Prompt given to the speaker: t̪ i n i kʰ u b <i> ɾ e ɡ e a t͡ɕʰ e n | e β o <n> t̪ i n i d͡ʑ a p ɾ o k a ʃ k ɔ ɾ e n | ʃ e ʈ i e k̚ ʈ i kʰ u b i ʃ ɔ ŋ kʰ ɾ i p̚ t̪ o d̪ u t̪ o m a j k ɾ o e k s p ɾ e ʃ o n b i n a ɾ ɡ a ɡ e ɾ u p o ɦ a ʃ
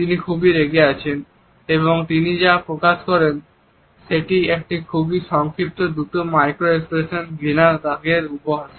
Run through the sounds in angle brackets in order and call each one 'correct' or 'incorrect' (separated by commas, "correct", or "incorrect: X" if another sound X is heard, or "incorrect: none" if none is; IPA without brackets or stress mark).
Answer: correct, incorrect: ŋ